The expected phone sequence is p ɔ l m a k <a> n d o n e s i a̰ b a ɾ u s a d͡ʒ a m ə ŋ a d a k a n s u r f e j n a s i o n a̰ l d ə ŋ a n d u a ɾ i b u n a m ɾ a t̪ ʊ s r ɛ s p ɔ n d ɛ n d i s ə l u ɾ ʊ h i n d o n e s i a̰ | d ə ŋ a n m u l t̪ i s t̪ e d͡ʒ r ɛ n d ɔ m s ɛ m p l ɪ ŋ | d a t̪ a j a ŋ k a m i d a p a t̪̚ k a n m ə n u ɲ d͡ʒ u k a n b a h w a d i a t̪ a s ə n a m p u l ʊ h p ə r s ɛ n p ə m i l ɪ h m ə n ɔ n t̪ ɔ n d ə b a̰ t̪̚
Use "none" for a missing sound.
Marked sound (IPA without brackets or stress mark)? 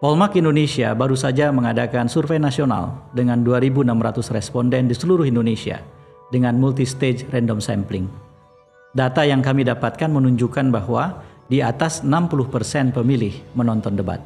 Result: i